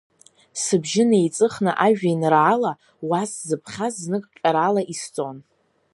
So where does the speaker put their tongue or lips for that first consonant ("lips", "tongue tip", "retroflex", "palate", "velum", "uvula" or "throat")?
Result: tongue tip